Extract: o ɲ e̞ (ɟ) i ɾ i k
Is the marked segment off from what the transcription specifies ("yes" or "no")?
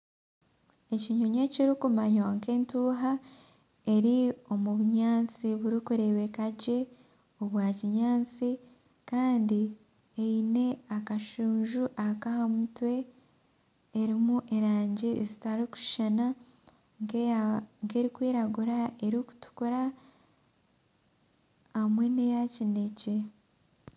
yes